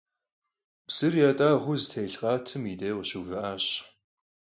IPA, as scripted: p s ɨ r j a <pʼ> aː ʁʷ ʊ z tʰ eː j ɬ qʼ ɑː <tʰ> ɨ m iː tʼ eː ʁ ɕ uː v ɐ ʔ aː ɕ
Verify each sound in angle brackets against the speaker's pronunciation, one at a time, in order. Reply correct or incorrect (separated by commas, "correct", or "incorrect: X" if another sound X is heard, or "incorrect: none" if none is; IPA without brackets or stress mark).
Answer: incorrect: tʼ, correct